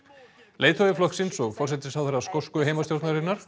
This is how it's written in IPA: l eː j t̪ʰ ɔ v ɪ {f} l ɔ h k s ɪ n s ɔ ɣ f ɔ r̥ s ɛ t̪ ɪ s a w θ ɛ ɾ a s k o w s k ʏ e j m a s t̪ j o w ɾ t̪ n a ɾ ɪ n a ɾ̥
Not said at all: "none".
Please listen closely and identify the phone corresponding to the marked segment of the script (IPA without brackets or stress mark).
f